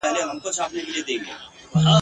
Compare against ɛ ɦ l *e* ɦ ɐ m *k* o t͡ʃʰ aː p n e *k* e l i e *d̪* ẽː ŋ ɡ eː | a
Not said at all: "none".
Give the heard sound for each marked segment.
e, k, k, d̪

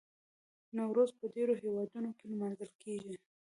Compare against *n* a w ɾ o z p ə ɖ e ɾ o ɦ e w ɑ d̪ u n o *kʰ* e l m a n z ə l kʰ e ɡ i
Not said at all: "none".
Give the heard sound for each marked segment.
n, k

